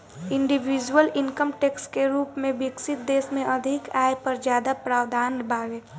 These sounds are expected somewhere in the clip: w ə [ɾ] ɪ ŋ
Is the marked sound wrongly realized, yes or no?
yes